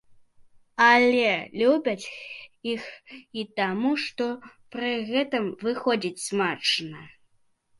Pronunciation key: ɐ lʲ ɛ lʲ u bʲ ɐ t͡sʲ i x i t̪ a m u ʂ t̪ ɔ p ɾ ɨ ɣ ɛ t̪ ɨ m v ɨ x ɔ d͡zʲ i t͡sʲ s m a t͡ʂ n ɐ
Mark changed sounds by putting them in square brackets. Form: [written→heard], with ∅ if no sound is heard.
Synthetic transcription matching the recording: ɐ lʲ ɛ lʲ u bʲ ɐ t͡sʲ i x i t̪ a m u ʂ t̪ ɔ p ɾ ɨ ɣ ɛ t̪ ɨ m v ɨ x ɔ d͡zʲ i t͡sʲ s m a t͡ʂ n ɐ

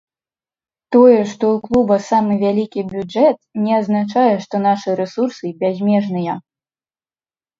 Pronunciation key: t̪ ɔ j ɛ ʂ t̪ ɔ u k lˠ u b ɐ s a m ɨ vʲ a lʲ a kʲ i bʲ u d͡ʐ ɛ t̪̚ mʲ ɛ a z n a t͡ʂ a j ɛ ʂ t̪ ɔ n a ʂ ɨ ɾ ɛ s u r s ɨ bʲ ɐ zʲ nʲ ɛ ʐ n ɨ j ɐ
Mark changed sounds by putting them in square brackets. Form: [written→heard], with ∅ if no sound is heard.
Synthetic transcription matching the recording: t̪ ɔ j ɛ ʂ t̪ ɔ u k lˠ u b ɐ s a m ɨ vʲ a lʲ [a→i] kʲ i bʲ u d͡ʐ ɛ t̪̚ [mʲ→nʲ] ɛ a z n a t͡ʂ a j ɛ ʂ t̪ ɔ n a ʂ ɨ ɾ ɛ s u r s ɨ bʲ [ɐ→a] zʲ [nʲ→mʲ] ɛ ʐ n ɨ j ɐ

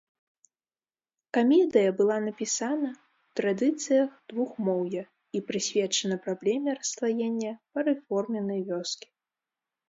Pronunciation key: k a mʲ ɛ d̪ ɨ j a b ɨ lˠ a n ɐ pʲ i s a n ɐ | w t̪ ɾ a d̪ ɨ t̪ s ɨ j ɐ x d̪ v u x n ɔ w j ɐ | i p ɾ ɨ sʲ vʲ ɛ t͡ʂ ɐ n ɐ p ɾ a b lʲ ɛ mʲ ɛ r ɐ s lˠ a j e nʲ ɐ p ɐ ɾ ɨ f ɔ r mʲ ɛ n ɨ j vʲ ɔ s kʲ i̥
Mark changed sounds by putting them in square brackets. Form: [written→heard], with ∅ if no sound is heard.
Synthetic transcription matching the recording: k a mʲ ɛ d̪ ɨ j [a→ɐ] b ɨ lˠ a n ɐ pʲ i s a n ɐ | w t̪ ɾ a d̪ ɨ t̪ s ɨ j ɐ x d̪ v u x [n→m] ɔ w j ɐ | i p ɾ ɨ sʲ vʲ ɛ t͡ʂ ɐ n ɐ p ɾ a b lʲ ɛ mʲ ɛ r ɐ s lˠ a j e [nʲ→nʲː] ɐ p ɐ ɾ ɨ f ɔ r mʲ ɛ n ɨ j vʲ ɔ s kʲ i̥

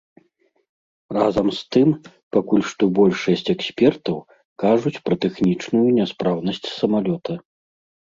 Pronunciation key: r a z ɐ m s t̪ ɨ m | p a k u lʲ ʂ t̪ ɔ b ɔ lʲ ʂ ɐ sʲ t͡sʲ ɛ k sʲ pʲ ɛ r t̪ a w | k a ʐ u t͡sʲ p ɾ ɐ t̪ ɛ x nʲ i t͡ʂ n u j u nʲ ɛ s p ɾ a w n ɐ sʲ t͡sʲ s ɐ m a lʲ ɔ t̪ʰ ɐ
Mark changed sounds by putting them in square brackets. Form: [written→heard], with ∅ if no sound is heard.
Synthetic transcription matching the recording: r a z ɐ m s t̪ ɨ m | p a k u lʲ ʂ t̪ ɔ b ɔ lʲ ʂ ɐ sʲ t͡sʲ ɛ k sʲ pʲ ɛ r t̪ [a→ɐ] w | k a ʐ u t͡sʲ p ɾ ɐ t̪ ɛ x nʲ i t͡ʂ n u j u nʲ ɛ s p ɾ a w n ɐ sʲ t͡sʲ s ɐ m a lʲ ɔ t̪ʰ ɐ

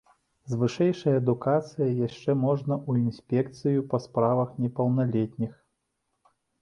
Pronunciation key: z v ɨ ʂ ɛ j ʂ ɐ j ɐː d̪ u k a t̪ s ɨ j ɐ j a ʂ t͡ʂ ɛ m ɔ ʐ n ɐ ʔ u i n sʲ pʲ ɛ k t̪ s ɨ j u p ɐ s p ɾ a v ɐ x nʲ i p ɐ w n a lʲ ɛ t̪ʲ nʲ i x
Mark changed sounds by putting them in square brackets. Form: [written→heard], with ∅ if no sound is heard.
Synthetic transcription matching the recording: z v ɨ ʂ ɛ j ʂ ɐ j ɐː d̪ u k a t̪ s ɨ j ɐ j a ʂ t͡ʂ ɛ m ɔ ʐ n ɐ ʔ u i n sʲ pʲ ɛ k t̪ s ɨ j u p ɐ s p ɾ a v ɐ x nʲ [i→ɛ] p ɐ w n a lʲ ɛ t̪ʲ nʲ i x

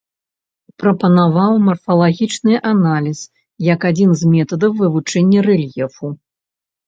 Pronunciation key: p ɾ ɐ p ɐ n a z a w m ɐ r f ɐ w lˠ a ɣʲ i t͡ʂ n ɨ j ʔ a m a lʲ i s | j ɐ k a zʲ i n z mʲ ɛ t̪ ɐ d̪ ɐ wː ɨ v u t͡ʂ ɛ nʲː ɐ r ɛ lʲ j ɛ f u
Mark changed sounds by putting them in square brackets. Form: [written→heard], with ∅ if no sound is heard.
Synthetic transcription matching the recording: p ɾ ɐ p ɐ n a [z→v] a w m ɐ r f ɐ [w→∅] lˠ a ɣʲ i t͡ʂ n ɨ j ʔ a [m→n] a lʲ i s | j ɐ k a [zʲ→d͡zʲ] i n z mʲ ɛ t̪ ɐ d̪ ɐ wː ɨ v u t͡ʂ ɛ nʲː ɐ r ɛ lʲ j ɛ f u

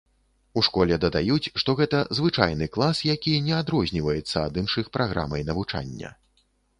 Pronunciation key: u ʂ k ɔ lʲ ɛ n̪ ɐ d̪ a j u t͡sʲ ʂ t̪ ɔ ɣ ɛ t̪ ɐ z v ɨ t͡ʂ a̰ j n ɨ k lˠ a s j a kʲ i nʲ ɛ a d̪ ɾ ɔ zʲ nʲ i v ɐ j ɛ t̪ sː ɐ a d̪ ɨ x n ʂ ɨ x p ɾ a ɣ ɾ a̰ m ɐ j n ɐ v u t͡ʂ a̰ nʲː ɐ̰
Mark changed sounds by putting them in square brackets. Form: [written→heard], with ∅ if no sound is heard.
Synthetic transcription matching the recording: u ʂ k ɔ lʲ ɛ [n̪→d̪] ɐ d̪ a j u t͡sʲ ʂ t̪ ɔ ɣ ɛ t̪ ɐ z v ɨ t͡ʂ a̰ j n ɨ k lˠ a s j a kʲ i nʲ ɛ a d̪ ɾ ɔ zʲ nʲ i v ɐ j ɛ t̪ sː ɐ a d̪ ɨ [x→∅] n ʂ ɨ x p ɾ a ɣ ɾ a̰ m ɐ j n ɐ v u t͡ʂ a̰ nʲː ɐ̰

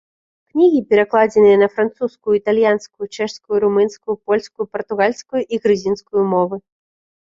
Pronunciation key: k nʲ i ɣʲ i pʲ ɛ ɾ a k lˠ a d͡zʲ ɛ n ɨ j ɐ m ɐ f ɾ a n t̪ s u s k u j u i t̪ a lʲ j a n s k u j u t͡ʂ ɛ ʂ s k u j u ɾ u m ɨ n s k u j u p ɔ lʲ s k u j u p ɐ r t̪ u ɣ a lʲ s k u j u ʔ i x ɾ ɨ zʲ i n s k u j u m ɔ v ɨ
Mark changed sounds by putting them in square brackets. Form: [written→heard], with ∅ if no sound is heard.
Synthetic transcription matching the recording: k nʲ i ɣʲ i pʲ ɛ ɾ a k lˠ a d͡zʲ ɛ n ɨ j ɐ [m→n] ɐ f ɾ a n t̪ s u s k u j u i t̪ a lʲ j a n s k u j u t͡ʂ ɛ ʂ s k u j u ɾ u m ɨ n s k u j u p ɔ lʲ s k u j u p ɐ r t̪ u ɣ a lʲ s k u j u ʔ i [x→ɣ] ɾ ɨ zʲ i n s k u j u m ɔ v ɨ

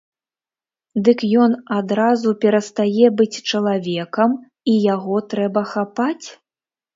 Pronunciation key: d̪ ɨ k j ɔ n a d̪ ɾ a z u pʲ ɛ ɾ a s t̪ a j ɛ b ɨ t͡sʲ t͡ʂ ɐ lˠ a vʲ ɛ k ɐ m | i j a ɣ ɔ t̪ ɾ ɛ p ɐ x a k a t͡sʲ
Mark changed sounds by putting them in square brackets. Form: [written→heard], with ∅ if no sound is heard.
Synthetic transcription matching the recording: d̪ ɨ k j ɔ n a d̪ ɾ a z u pʲ ɛ ɾ [a→ɐ] s t̪ a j ɛ b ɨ t͡sʲ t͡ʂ ɐ lˠ a vʲ ɛ k ɐ m | i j a ɣ ɔ t̪ ɾ ɛ [p→b] ɐ x a [k→p] a t͡sʲ

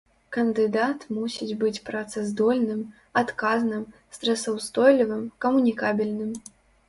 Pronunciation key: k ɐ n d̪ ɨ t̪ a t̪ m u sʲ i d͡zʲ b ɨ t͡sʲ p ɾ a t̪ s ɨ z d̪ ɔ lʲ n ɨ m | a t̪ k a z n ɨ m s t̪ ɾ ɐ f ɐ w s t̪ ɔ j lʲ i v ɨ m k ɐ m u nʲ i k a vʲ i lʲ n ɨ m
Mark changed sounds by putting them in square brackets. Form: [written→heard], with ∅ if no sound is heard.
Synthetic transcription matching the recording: k ɐ n d̪ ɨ [t̪→d̪] a t̪ m u sʲ i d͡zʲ b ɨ t͡sʲ p ɾ a t̪ s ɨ z d̪ ɔ lʲ n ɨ m | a t̪ k a z n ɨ m s t̪ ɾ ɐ [f→s] ɐ w s t̪ ɔ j lʲ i v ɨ m k ɐ m u nʲ i k a [vʲ→bʲ] i lʲ n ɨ m

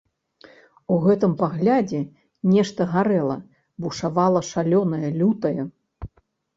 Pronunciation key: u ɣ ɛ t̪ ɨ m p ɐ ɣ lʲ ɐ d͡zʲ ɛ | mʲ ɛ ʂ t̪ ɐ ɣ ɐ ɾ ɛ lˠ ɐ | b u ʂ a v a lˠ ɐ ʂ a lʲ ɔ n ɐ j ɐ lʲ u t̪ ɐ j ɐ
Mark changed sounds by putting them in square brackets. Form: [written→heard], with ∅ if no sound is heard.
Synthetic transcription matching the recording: u ɣ ɛ t̪ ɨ m p [ɐ→a] ɣ lʲ [ɐ→a] d͡zʲ ɛ | [mʲ→nʲ] ɛ ʂ t̪ ɐ ɣ [ɐ→a] ɾ ɛ lˠ ɐ | b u ʂ a v a lˠ ɐ ʂ a lʲ ɔ n ɐ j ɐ lʲ u t̪ ɐ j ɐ

